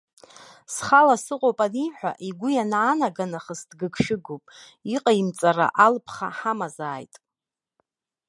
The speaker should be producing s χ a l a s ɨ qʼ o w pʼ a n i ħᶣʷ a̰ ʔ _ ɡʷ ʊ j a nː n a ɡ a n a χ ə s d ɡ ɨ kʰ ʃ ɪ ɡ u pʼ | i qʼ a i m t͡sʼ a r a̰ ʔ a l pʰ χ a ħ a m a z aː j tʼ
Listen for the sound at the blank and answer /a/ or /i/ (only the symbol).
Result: i